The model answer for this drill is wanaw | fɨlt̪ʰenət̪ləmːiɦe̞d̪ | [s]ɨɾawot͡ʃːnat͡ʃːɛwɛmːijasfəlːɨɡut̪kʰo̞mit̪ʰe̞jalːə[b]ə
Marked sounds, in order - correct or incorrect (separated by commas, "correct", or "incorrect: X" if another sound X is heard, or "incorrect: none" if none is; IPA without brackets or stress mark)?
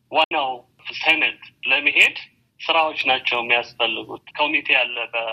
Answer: correct, correct